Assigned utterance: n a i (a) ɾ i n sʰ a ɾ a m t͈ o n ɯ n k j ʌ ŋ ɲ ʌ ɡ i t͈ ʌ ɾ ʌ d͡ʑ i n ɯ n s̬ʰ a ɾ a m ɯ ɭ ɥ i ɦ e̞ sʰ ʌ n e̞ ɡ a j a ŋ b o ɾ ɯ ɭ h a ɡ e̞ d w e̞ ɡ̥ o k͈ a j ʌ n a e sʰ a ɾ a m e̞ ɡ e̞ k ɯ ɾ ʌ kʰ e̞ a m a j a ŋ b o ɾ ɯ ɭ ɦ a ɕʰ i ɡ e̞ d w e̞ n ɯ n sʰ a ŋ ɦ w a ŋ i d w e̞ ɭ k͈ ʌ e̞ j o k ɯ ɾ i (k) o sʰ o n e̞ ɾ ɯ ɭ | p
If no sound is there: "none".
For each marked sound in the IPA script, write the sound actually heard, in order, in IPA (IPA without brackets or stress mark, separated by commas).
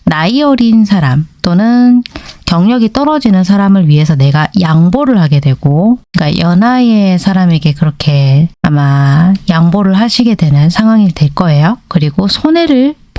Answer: ʌ, ɡ